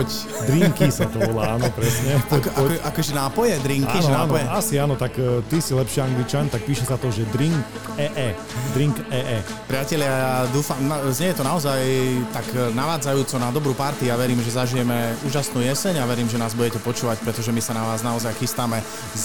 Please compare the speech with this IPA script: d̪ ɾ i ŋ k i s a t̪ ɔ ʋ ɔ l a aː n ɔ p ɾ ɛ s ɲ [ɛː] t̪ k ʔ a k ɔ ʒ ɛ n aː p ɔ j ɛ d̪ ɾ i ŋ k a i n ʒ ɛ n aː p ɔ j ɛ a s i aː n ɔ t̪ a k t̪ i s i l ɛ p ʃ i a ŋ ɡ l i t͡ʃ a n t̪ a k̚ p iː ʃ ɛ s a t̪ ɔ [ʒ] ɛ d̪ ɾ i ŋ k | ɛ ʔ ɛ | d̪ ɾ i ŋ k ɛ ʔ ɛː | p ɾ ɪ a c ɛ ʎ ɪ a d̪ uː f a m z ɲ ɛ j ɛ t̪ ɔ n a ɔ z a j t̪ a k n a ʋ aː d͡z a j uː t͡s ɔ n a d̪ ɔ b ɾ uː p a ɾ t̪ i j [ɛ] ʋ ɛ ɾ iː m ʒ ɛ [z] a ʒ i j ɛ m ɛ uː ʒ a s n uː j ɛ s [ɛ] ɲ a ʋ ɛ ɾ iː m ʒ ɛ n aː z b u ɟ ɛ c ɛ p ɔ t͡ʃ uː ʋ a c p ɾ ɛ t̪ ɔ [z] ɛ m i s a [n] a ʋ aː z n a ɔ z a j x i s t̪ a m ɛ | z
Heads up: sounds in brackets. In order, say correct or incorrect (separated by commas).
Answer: incorrect, correct, incorrect, correct, correct, incorrect, correct